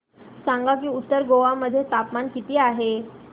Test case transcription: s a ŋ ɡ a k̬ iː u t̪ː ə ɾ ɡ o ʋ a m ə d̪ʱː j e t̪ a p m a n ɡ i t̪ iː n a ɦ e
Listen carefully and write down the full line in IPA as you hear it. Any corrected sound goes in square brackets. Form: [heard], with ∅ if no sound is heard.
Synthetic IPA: s a ŋ ɡ a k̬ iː u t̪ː ə ɾ ɡ o ʋ a m ə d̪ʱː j e t̪ a p m a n [k] i t̪ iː [∅] a ɦ e